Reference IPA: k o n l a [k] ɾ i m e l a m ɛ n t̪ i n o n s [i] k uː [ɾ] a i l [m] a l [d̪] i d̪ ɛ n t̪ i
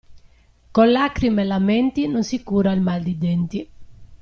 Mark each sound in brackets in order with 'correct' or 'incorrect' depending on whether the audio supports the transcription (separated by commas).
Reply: correct, correct, correct, correct, correct